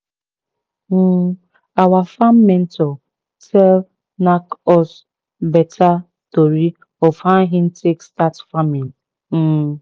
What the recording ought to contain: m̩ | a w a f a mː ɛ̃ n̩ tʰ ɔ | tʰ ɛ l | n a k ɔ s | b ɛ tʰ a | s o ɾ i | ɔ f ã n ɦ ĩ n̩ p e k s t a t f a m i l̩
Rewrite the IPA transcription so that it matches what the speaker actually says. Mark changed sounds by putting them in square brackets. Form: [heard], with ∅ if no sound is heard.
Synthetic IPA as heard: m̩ | a w a f a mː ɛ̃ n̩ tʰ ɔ | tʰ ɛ l | n a k ɔ s | b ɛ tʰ a | [t] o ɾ i | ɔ f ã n ɦ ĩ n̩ [t] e k s t a t f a m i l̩